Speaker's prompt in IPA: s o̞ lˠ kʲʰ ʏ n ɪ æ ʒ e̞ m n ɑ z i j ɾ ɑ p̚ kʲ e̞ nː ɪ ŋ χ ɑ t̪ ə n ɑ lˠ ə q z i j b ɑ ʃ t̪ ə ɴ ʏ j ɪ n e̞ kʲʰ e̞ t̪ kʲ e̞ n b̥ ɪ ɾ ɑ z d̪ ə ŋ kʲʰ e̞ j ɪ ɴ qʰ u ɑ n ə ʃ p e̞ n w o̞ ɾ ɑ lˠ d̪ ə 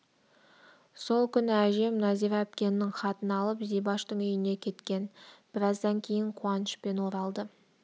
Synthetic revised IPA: s o̞ lˠ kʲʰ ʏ n ɪ æ ʒ e̞ m n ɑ z i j ɾ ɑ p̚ kʲ e̞ nː ɪ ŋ χ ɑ t̪ ə n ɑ lˠ ə p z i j b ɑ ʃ t̪ ə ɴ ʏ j ɪ n e̞ kʲʰ e̞ t̪ kʲ e̞ n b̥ ɪ ɾ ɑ z d̪ ɑ ŋ kʲʰ e̞ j ɪ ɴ qʰ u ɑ n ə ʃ p e̞ n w o̞ ɾ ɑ lˠ d̪ ə